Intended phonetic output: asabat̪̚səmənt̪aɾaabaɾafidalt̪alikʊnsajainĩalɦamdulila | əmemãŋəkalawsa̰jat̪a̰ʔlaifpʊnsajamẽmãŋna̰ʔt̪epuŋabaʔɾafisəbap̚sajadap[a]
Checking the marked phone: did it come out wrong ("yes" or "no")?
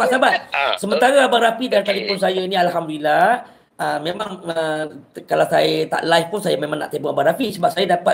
no